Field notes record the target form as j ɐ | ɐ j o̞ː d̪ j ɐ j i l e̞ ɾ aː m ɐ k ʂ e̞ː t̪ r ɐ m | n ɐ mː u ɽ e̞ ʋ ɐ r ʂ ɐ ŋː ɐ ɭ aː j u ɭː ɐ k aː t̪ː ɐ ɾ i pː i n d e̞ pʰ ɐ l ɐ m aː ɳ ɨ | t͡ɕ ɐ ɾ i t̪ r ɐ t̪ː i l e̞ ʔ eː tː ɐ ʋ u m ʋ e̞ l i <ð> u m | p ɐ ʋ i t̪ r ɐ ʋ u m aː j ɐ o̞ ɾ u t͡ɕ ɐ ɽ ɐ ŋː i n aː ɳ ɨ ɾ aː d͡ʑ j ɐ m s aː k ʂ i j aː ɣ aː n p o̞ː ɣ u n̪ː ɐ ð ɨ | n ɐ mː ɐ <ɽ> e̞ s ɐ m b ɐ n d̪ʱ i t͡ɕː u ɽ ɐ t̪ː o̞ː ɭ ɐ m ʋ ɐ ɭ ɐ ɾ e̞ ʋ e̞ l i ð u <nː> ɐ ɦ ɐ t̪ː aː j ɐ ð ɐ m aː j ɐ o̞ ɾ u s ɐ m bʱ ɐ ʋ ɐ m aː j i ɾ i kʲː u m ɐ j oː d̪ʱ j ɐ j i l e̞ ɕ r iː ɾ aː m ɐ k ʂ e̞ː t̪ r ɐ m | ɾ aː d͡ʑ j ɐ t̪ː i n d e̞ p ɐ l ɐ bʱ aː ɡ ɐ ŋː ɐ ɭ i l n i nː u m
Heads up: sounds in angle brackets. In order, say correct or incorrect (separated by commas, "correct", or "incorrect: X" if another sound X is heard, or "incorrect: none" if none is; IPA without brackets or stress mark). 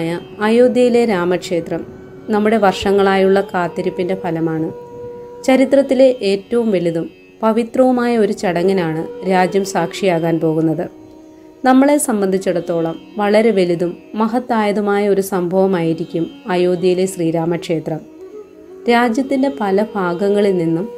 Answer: correct, incorrect: ɭ, incorrect: mː